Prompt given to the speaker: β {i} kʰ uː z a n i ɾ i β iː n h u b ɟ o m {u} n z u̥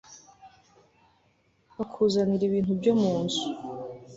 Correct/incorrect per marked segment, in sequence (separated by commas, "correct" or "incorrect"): incorrect, incorrect